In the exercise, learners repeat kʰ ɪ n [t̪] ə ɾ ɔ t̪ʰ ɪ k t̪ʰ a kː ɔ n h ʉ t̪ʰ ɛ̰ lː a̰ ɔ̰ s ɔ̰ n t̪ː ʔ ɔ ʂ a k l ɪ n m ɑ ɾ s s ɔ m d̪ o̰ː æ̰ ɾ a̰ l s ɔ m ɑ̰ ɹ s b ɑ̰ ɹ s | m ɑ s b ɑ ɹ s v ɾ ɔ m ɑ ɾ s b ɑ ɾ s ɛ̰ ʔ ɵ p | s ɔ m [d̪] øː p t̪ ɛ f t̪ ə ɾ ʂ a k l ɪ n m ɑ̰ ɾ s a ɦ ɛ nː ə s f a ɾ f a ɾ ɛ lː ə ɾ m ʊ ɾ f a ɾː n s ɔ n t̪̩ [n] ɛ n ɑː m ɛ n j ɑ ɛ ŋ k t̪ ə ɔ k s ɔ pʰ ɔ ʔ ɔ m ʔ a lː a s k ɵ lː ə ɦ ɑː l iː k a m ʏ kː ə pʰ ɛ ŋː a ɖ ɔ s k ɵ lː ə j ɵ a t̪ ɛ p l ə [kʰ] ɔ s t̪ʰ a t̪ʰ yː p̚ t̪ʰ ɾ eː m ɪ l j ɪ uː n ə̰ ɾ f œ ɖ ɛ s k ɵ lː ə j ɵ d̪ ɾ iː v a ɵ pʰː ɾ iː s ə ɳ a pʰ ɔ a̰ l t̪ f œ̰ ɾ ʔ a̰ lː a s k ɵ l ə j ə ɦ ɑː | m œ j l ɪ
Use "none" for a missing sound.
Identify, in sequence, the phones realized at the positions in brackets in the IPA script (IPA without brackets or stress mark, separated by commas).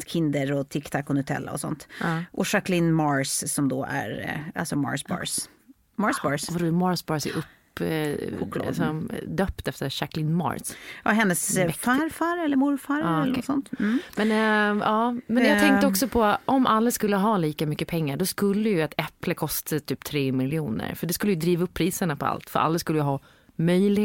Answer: d̪, d̪, m, kʰ